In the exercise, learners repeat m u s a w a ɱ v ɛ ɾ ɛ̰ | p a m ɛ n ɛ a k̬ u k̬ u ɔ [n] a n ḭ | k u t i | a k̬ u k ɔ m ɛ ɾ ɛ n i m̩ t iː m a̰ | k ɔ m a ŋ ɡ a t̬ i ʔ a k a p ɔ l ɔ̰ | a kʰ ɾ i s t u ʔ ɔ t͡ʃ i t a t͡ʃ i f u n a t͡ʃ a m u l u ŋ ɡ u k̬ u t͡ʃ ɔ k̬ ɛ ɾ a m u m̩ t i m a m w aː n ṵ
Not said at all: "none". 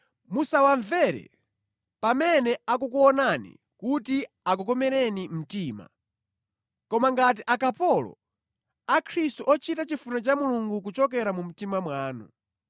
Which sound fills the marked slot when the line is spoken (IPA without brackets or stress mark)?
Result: n